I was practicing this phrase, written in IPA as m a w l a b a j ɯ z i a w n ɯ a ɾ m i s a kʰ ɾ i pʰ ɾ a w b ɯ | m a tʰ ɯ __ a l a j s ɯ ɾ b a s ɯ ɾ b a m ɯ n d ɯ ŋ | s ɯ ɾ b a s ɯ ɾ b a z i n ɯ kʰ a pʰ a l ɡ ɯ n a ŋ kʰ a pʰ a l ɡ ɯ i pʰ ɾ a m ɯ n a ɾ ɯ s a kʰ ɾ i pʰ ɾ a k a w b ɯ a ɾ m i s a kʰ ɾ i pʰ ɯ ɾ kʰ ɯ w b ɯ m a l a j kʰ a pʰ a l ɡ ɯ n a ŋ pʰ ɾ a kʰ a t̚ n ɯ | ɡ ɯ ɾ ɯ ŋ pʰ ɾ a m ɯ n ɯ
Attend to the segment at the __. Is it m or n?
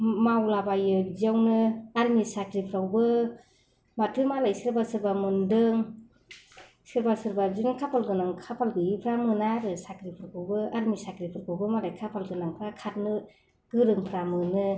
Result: m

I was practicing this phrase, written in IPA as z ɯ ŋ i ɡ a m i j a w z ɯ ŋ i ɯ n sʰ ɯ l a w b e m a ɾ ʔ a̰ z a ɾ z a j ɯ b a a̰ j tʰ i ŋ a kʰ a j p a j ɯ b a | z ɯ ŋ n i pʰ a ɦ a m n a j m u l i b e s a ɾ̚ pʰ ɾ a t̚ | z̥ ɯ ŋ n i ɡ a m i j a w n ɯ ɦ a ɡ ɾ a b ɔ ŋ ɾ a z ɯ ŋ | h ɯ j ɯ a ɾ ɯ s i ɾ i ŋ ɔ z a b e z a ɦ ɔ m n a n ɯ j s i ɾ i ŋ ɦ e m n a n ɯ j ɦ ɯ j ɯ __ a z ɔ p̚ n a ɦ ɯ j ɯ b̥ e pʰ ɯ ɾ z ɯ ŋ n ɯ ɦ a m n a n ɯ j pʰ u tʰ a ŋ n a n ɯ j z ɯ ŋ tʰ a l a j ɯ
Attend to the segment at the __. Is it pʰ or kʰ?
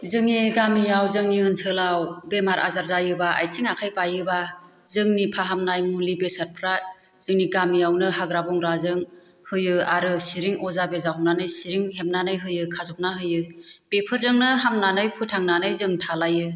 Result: kʰ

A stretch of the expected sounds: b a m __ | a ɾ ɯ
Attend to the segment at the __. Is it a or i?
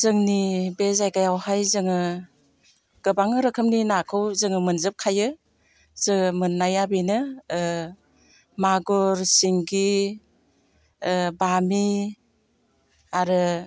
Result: i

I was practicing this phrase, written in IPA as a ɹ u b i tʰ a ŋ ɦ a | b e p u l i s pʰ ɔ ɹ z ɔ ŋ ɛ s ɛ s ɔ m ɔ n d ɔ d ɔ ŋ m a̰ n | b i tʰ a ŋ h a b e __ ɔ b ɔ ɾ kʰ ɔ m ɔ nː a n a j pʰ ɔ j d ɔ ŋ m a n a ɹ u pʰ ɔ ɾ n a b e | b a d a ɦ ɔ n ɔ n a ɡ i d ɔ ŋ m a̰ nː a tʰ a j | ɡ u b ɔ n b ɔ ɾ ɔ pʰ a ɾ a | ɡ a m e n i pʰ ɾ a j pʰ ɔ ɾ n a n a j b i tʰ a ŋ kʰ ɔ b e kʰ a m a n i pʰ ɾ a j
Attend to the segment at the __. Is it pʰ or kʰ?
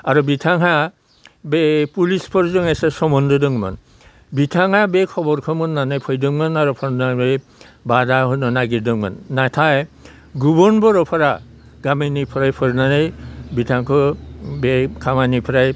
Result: kʰ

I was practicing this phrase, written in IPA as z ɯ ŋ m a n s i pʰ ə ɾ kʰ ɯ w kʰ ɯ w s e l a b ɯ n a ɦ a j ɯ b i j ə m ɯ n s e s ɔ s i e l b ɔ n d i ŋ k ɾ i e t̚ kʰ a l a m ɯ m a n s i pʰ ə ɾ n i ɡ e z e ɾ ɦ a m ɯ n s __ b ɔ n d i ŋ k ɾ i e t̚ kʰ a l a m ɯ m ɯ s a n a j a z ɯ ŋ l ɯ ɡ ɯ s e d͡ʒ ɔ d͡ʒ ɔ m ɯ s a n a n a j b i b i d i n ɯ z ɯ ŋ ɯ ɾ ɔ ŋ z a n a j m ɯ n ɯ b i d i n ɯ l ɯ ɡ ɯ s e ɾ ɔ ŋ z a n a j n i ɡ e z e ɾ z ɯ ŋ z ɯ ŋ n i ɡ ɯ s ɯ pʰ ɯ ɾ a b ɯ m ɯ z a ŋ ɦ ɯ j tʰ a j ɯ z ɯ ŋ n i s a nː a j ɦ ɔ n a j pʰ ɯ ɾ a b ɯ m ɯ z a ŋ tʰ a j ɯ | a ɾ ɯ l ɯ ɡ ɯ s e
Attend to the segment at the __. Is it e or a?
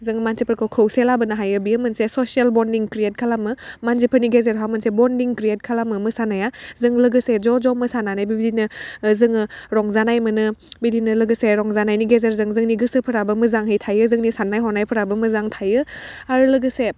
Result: e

